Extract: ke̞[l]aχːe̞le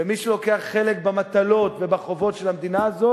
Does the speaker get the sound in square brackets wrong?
yes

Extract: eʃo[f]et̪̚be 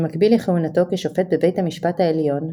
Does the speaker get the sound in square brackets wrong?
no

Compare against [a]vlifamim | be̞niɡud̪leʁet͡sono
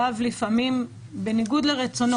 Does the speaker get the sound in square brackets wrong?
no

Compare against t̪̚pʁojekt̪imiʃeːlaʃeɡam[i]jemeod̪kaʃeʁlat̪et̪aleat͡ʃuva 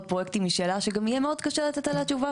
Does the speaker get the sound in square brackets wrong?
no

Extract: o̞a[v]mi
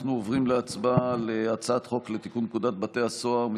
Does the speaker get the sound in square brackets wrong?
yes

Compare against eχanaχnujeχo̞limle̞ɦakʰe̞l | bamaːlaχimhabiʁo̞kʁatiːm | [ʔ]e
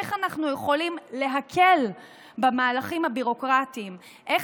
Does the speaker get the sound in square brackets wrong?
no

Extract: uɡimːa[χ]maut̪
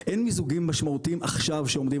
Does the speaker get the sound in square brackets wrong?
yes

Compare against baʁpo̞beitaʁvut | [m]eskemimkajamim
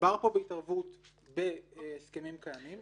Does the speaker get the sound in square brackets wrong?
yes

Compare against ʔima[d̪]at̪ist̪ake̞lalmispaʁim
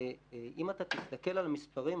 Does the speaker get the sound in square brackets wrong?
yes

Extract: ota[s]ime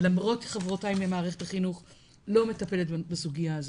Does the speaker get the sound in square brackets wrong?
yes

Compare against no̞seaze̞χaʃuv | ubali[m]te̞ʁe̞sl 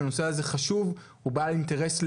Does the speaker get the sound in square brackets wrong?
yes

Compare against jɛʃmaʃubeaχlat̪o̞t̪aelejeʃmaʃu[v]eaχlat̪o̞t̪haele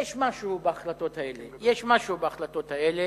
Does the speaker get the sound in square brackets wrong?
yes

